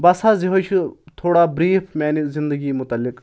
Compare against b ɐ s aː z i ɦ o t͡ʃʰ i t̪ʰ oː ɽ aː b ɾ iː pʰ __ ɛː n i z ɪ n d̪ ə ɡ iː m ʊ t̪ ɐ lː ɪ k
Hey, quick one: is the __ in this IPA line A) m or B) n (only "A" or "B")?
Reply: A